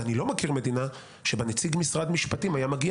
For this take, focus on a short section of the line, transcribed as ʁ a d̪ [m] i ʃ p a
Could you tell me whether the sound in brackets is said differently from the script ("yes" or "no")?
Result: no